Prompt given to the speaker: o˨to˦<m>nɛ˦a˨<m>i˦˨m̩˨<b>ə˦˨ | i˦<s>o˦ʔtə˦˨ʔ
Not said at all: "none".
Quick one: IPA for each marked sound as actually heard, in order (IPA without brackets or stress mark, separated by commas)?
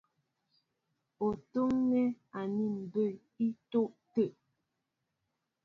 ŋ, n, b, t